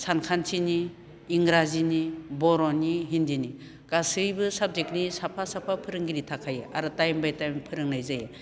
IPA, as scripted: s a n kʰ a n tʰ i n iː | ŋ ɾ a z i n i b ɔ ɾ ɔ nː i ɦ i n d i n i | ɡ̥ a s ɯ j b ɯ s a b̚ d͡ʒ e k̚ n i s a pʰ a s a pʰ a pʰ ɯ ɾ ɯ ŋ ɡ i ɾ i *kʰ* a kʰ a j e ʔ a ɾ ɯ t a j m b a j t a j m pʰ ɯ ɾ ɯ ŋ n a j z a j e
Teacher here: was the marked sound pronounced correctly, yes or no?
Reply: no